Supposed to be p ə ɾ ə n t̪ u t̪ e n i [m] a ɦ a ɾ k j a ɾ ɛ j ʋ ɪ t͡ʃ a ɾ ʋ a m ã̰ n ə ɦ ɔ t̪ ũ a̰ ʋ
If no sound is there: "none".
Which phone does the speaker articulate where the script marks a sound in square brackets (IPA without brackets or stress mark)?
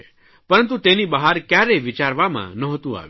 b